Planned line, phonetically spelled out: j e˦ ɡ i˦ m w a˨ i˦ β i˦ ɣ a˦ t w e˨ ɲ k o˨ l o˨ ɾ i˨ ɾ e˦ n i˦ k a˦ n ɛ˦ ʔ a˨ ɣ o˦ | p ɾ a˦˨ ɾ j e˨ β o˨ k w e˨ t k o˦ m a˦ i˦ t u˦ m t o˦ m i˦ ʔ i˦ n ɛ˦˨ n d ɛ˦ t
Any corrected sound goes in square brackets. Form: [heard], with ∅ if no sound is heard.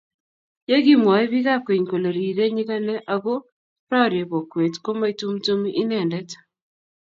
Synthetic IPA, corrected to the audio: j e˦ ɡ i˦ m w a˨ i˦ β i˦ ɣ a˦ [k] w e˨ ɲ k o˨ l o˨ ɾ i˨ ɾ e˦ [ɲ] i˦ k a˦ n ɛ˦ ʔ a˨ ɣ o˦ | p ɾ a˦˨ ɾ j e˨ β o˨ k w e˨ t k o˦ m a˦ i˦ t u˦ m t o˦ m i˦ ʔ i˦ n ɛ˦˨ n d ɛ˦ t